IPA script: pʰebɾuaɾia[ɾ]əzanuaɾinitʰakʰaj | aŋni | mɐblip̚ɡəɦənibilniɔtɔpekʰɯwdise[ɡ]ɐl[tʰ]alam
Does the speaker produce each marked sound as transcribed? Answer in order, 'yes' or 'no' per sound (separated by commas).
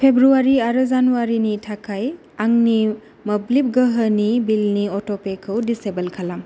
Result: yes, no, no